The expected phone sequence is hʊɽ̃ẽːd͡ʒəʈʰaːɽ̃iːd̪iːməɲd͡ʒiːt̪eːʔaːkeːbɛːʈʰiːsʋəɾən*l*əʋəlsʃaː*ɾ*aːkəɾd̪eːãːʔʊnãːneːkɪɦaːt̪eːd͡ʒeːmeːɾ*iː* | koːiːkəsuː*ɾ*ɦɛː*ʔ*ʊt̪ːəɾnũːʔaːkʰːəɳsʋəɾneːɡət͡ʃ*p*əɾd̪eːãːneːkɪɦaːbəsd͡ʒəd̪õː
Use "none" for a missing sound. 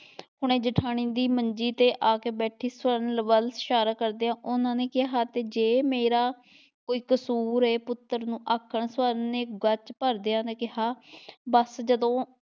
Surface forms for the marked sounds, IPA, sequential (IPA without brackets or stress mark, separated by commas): l, ɾ, aː, ɾ, p, p